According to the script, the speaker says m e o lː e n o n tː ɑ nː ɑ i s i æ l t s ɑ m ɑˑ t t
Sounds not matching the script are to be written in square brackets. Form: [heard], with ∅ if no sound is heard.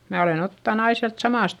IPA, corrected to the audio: m [æ] o [l] e n o [∅] tː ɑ [n] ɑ i s i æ l t s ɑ m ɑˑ [s] t